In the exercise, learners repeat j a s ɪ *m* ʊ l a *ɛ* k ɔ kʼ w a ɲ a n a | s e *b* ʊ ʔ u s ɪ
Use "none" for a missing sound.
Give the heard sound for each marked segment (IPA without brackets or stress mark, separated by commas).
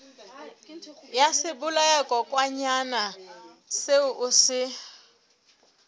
b, ɛ, none